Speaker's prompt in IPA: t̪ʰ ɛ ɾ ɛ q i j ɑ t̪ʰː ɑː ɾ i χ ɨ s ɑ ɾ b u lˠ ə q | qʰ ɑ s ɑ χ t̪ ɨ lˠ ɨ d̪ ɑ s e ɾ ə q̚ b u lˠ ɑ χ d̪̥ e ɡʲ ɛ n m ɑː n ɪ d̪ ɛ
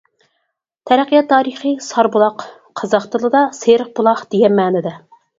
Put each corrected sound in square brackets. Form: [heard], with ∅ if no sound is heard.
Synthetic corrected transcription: t̪ʰ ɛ ɾ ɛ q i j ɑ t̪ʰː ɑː ɾ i χ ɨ s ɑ ɾ b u lˠ [ɑ] q | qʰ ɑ [z] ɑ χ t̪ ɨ lˠ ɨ d̪ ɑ s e ɾ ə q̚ b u lˠ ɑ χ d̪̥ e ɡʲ ɛ n m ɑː n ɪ d̪ ɛ